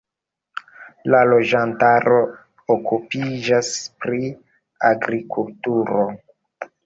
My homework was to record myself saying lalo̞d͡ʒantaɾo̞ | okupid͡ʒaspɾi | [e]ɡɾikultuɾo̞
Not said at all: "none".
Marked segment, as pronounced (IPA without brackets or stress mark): a